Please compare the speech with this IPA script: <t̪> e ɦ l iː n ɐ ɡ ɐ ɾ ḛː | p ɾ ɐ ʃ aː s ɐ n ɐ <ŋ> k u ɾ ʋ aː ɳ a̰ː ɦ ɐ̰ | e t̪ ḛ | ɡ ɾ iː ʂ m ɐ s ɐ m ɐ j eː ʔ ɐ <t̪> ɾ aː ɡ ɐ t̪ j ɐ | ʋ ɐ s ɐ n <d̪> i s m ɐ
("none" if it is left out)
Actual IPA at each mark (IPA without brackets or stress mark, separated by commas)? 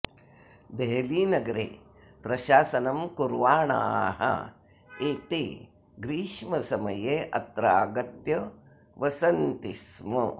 d̪, m, t̪, t̪